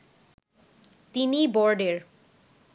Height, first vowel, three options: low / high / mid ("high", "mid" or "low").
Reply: high